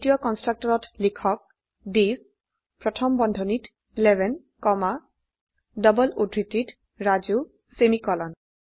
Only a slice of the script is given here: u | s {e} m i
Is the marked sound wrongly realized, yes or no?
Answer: no